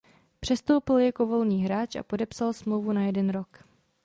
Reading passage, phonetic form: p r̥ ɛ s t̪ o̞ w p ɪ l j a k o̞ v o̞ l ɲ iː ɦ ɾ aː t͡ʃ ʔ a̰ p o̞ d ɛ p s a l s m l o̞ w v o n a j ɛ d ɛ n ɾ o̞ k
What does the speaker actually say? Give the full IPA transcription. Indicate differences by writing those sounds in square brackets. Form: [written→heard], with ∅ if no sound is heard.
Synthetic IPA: p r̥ ɛ s t̪ o̞ w p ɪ l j a k o̞ v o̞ l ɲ iː ɦ ɾ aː t͡ʃ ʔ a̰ p o̞ d ɛ p s a l s m l o̞ w v [o→u] n a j ɛ d ɛ n ɾ o̞ k